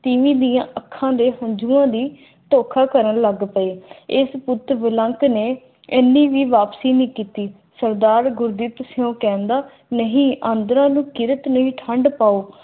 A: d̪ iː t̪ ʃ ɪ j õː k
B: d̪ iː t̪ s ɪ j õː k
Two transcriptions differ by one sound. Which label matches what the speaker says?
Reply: B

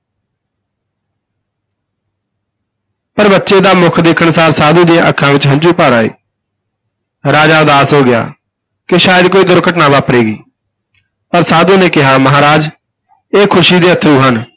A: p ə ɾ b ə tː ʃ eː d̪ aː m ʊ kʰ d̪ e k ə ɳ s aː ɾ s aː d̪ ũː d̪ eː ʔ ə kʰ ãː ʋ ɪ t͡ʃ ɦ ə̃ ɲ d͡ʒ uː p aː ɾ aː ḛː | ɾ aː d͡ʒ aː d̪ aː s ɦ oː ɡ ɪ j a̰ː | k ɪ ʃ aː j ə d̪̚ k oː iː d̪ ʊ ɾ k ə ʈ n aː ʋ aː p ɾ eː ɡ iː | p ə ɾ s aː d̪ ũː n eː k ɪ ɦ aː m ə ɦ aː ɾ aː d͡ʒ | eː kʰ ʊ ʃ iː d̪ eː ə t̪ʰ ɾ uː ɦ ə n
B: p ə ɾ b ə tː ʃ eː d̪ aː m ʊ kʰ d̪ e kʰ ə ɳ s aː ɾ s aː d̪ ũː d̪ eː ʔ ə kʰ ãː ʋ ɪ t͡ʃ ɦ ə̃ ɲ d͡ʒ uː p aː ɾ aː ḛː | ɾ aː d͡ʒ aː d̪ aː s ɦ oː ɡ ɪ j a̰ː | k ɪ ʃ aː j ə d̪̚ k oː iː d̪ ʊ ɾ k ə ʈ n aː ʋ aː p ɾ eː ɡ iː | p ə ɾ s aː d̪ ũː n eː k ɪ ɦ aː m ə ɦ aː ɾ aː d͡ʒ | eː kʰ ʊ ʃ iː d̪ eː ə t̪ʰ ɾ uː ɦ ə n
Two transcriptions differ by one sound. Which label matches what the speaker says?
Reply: B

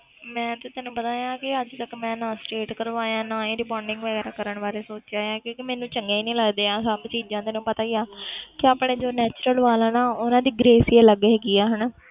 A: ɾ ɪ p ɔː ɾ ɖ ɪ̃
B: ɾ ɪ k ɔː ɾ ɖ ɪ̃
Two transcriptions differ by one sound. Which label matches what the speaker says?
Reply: A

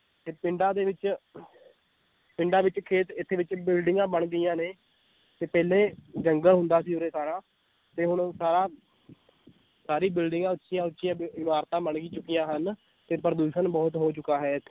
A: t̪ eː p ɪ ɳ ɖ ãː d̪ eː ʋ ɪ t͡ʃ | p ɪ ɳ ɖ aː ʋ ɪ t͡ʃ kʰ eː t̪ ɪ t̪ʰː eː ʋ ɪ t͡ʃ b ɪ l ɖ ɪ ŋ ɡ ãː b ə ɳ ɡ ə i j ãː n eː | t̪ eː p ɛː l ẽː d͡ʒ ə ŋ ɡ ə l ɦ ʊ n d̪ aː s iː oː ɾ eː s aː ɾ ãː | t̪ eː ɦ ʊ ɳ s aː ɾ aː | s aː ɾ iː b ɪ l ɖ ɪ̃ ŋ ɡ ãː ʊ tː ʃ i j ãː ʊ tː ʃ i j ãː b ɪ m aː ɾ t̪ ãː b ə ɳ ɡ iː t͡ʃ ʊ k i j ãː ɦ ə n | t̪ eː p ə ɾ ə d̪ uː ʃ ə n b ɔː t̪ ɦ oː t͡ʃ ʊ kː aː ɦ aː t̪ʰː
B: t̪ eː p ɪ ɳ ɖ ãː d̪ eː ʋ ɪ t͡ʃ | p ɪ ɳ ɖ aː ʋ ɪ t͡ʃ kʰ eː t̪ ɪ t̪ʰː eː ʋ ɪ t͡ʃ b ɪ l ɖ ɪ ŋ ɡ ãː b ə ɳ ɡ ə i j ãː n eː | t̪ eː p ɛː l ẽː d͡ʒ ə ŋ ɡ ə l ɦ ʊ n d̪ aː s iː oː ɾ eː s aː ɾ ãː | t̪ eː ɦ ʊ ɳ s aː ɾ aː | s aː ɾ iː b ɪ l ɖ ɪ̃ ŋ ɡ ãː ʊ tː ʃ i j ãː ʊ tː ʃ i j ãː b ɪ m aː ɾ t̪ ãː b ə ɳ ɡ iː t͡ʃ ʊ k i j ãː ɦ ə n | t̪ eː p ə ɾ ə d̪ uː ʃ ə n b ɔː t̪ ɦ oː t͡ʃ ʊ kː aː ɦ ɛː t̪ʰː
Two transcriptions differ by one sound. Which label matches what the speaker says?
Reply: B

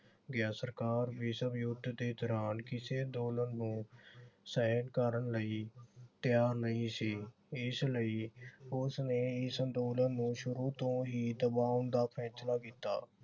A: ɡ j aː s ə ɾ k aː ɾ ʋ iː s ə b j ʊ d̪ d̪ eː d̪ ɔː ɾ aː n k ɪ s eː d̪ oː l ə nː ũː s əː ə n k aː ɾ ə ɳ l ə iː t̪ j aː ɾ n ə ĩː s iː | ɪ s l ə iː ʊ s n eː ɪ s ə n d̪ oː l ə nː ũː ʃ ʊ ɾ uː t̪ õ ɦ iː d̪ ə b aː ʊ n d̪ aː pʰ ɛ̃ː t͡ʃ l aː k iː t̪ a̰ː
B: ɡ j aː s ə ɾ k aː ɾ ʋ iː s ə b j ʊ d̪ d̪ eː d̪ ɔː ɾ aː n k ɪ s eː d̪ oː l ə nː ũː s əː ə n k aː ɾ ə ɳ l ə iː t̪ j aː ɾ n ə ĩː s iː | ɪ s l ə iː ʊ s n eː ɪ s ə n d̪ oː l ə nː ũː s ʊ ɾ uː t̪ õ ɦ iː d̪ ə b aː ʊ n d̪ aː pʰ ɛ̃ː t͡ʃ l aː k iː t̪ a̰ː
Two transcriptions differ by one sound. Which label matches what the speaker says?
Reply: A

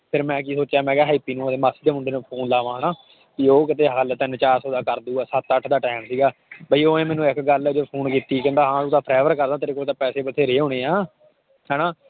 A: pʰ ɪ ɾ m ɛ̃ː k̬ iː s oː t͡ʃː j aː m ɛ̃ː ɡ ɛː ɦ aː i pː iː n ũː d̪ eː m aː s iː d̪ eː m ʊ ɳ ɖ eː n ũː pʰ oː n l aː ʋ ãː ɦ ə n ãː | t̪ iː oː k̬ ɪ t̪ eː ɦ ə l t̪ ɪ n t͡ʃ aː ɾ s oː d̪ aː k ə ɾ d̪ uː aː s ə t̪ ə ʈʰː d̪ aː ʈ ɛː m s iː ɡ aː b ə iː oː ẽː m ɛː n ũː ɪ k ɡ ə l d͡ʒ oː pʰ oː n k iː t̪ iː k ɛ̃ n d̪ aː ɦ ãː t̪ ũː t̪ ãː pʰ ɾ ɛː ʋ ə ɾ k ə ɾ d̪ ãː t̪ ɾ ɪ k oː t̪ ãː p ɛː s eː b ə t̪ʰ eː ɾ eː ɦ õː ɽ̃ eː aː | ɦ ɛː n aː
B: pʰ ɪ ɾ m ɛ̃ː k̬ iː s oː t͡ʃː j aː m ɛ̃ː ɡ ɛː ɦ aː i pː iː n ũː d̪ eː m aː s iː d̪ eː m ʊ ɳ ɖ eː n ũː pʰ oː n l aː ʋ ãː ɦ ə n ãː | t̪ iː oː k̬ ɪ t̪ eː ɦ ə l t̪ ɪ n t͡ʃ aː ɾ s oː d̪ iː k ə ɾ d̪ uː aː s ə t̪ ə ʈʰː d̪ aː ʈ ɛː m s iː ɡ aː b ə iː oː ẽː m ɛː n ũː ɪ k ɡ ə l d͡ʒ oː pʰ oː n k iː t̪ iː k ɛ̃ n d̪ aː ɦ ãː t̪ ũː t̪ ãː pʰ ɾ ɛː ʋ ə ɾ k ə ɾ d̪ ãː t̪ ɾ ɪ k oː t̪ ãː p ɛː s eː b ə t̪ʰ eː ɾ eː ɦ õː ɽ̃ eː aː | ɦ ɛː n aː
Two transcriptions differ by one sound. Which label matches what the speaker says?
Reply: A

